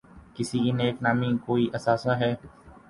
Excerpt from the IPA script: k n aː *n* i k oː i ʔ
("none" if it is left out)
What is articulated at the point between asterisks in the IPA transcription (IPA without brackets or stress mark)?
m